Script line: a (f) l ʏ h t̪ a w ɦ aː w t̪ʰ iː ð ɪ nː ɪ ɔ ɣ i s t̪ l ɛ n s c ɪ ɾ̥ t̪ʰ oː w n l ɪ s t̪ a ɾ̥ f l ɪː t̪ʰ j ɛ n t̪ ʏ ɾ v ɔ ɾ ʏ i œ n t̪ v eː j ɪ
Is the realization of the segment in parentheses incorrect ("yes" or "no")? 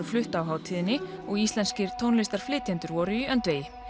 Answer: no